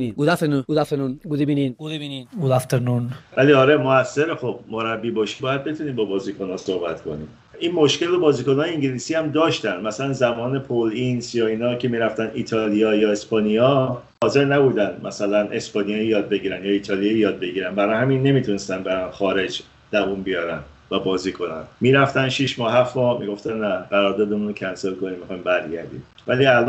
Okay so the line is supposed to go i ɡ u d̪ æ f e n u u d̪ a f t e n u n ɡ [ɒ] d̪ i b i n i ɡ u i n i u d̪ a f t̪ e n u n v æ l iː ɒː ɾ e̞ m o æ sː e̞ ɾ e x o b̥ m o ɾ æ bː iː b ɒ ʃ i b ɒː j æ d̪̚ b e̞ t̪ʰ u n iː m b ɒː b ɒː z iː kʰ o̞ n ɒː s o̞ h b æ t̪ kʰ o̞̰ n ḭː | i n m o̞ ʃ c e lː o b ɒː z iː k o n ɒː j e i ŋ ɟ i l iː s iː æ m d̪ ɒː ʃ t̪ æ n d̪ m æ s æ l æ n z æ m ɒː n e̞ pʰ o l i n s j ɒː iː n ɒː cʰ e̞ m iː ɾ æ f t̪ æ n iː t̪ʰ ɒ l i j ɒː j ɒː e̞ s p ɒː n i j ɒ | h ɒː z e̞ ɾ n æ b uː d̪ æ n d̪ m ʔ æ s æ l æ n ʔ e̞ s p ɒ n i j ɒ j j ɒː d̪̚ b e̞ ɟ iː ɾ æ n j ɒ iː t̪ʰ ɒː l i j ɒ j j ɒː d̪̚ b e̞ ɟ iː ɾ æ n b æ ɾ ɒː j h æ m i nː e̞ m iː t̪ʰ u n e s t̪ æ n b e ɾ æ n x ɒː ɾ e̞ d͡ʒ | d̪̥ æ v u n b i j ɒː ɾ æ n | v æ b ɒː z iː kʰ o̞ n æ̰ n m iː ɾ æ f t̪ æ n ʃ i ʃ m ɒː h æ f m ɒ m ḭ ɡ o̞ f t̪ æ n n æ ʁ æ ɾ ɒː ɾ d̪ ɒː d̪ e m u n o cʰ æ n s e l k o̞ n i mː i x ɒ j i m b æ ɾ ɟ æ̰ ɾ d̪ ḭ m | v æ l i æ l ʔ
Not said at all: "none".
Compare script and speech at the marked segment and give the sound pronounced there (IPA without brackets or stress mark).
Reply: u